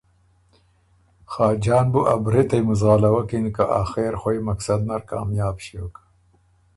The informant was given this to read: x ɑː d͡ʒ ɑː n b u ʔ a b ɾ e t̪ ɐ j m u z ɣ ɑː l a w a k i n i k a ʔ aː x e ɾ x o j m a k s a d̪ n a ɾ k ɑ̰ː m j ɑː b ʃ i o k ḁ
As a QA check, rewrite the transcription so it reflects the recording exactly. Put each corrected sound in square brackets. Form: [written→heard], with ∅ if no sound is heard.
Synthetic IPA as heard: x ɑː d͡ʒ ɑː n b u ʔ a b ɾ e t̪ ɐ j m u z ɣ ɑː l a w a k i n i k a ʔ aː x e ɾ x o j m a k s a d̪ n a ɾ k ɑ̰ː m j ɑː b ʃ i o k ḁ